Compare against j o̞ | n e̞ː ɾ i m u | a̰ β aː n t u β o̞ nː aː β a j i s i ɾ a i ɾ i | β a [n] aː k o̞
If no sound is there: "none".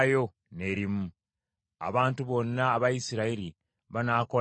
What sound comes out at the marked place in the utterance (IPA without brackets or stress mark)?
n